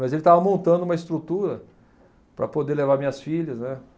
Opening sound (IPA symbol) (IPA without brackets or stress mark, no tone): m